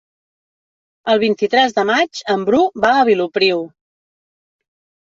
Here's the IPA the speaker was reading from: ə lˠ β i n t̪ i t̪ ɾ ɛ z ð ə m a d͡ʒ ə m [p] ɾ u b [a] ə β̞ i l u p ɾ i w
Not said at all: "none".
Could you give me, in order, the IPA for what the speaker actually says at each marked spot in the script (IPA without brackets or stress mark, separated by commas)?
b, a